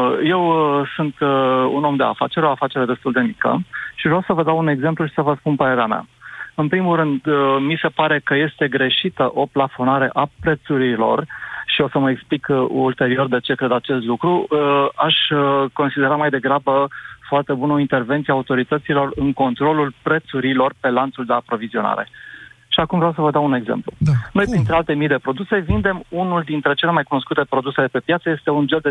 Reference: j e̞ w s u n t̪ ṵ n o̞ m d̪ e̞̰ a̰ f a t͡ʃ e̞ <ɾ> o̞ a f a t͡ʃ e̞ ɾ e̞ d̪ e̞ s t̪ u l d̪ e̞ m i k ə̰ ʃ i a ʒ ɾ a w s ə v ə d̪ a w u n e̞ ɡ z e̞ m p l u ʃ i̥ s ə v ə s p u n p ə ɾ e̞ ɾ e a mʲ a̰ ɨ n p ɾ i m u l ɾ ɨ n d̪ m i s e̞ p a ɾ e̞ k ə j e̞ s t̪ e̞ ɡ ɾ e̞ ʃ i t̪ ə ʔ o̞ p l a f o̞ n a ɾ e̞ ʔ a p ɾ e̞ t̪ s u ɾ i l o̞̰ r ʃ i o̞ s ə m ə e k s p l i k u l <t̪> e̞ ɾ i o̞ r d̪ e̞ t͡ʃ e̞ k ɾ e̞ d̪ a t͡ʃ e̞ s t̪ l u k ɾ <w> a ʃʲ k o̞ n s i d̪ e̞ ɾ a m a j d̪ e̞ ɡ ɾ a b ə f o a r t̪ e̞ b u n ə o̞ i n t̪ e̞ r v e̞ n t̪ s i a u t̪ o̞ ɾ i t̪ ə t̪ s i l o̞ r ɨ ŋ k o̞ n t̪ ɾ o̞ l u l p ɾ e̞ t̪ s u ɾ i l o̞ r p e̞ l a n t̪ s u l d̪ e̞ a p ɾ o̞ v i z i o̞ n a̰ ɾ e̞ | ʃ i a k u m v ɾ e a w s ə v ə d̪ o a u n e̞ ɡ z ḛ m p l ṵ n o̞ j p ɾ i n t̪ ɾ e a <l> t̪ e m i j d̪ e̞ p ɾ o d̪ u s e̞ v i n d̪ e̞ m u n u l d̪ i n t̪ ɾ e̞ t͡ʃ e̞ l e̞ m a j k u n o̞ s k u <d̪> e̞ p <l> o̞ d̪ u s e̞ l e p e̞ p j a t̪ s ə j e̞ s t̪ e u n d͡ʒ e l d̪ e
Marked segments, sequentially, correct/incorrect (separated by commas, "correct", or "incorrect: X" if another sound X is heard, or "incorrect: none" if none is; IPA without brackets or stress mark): correct, correct, incorrect: u, correct, incorrect: t̪, incorrect: ɾ